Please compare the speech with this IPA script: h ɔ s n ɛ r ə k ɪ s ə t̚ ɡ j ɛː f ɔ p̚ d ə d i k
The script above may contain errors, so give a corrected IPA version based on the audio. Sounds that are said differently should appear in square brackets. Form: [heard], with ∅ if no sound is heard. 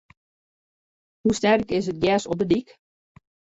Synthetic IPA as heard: h [u] s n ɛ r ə k ɪ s ə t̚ ɡ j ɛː [s] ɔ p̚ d ə d i k

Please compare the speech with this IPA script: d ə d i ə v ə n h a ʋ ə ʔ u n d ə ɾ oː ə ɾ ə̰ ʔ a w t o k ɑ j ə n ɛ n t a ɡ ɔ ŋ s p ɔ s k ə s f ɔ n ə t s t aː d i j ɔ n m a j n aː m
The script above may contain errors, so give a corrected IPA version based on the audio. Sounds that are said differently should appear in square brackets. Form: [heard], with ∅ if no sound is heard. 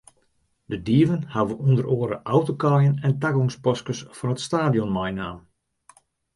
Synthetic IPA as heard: d ə d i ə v ə n h a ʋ ə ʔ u n d ə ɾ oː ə ɾ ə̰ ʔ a w t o k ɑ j ə n ɛ n t a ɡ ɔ ŋ s p ɔ s k ə s f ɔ n ə t s t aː d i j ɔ n m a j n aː m

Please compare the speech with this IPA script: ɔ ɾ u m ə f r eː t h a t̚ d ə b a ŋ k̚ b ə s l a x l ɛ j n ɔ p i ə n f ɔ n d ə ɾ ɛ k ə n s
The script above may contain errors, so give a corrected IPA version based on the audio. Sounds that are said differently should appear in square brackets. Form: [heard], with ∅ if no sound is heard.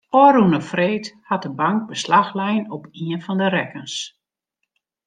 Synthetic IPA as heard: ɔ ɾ u [n] ə f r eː t h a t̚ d ə b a ŋ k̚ b ə s l a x l ɛ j n ɔ p i ə n f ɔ n d ə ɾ ɛ k ə n s

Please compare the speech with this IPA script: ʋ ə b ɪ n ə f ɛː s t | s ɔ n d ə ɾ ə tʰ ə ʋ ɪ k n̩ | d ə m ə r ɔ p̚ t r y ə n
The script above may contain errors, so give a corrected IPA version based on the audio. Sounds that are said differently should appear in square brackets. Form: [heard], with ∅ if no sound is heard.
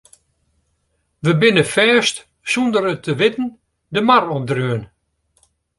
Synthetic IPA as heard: ʋ ə b ɪ n ə f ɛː s t | s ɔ n d ə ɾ ə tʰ ə ʋ ɪ [t] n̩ | d ə m [a] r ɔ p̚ [d] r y ə n

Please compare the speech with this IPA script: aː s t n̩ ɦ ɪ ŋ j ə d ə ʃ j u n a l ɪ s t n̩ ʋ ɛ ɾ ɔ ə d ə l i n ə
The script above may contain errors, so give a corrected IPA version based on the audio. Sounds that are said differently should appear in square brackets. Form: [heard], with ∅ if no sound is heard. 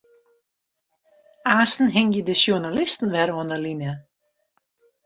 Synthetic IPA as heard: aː s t n̩ ɦ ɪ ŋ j ə d ə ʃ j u n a l ɪ s t n̩ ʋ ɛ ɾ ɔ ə [n] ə l i n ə

